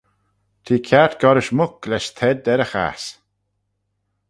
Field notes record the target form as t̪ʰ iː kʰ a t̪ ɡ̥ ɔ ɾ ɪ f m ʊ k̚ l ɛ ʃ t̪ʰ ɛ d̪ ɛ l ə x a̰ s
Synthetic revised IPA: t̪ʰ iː kʰ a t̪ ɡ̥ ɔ ɾ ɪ ʃ m ʊ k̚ l ɛ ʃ t̪ʰ ɛ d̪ ɛ ɾ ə x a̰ s